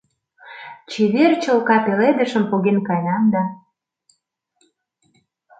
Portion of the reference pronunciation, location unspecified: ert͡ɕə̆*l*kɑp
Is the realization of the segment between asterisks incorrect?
no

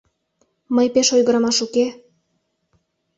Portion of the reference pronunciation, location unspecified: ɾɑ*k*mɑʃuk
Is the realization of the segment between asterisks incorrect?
yes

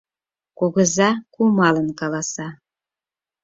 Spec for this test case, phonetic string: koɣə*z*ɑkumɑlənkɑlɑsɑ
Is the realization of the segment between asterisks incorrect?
no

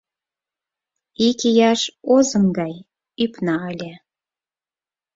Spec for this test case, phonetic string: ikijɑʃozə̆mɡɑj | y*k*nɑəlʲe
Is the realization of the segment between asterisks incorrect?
yes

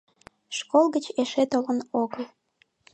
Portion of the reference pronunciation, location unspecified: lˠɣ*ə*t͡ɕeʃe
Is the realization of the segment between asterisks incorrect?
no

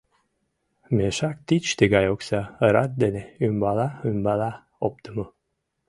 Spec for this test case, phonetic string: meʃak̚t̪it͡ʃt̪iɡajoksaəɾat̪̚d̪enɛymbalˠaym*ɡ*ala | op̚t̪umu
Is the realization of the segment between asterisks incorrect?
yes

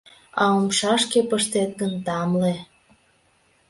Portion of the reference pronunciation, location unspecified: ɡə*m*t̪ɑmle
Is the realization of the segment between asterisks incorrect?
yes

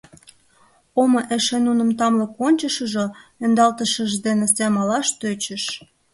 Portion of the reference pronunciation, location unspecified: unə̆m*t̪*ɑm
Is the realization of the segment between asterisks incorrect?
no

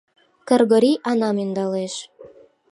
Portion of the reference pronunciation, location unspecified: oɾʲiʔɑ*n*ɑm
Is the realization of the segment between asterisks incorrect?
no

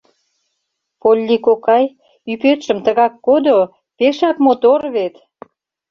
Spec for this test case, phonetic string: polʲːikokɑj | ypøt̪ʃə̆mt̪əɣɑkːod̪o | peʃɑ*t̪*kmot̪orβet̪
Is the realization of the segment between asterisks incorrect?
yes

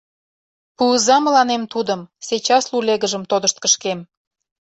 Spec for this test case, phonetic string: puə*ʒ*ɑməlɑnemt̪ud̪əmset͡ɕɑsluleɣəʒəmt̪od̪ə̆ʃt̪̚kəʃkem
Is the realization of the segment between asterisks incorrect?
yes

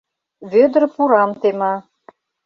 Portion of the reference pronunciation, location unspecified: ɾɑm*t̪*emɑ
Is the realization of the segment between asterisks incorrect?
no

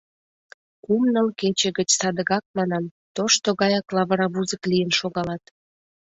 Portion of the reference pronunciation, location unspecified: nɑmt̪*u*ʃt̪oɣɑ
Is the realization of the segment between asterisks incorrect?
yes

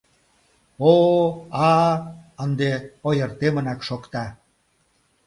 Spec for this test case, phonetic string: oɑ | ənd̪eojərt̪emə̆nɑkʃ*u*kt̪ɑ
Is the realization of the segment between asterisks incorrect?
yes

